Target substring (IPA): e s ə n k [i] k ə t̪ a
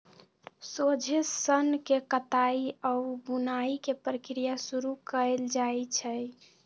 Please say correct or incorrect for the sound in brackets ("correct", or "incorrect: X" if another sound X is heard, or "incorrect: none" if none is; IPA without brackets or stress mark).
incorrect: e